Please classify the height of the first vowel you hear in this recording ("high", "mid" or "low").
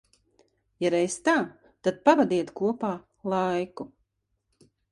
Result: low